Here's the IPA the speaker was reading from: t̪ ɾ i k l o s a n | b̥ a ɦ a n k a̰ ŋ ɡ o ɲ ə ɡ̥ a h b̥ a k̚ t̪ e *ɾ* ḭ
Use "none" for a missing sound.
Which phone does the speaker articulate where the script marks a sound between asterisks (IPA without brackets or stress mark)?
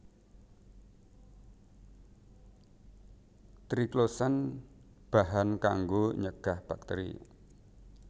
ɾ